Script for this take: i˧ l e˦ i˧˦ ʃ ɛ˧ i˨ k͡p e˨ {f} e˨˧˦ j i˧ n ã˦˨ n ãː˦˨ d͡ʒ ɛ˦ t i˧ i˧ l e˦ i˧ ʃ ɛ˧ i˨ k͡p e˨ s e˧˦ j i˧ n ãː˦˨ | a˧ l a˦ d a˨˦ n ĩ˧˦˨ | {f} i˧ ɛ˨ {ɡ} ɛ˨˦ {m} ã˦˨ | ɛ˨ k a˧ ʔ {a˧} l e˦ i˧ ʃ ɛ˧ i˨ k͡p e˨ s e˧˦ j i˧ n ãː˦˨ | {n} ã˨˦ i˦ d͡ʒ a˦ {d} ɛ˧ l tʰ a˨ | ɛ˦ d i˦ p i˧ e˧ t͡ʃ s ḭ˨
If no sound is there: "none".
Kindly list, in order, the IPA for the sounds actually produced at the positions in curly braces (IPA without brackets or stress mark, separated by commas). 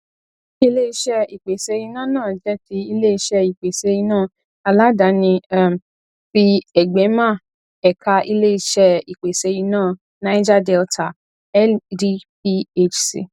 s, f, ɡ͡b, m, i˧, n, d